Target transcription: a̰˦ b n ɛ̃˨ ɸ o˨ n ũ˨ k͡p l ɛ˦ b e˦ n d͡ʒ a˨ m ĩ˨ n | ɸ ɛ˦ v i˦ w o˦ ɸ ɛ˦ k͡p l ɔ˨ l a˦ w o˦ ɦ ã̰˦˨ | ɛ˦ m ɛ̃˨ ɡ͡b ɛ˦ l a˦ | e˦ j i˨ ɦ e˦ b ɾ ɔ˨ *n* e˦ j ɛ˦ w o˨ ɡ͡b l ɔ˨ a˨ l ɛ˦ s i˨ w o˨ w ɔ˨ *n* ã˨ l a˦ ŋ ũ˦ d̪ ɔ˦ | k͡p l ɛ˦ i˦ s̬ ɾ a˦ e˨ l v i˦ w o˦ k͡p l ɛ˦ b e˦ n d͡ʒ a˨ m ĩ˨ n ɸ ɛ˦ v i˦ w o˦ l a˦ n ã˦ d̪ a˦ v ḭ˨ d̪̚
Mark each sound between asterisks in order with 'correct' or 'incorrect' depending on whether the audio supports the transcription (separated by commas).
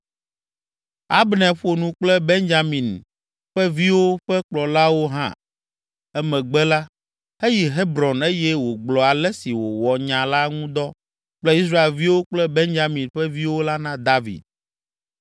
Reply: correct, incorrect